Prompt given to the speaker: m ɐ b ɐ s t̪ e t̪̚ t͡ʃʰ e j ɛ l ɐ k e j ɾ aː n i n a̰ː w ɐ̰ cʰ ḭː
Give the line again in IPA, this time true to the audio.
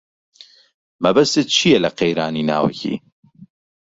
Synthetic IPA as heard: m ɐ b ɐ s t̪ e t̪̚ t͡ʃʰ i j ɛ l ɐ q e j ɾ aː n i n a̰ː w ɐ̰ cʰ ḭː